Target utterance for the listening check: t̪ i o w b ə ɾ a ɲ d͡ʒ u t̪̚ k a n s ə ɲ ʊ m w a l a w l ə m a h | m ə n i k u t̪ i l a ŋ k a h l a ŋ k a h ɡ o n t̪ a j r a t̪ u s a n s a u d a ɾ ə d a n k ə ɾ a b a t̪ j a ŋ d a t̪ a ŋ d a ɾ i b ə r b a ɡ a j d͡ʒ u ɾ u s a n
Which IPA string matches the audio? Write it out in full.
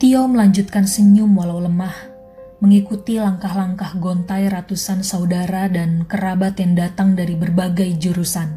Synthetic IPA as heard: t̪ i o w m ə l a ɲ d͡ʒ u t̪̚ k a n s ə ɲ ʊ m w a l a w l ə m a h | m ə ŋ i k u t̪ i l a ŋ k a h l a ŋ k a h ɡ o n t̪ a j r a t̪ u s a n s a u d a ɾ a d a n k ə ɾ a b a t̪ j a ŋ d a t̪ a ŋ d a ɾ i b ə r b a ɡ a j d͡ʒ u ɾ u s a n